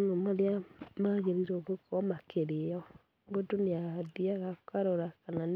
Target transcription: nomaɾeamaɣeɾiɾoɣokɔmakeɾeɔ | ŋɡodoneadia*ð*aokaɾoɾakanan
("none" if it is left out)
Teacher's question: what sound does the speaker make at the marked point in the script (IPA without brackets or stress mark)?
ɣ